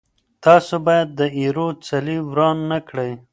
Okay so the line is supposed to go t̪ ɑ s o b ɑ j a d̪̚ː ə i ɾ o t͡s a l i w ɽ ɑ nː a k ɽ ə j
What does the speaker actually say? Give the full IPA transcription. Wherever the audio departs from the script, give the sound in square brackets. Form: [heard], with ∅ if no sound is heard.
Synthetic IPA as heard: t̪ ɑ s o b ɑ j a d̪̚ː ə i ɾ o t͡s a l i w [ɾ] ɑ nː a k ɽ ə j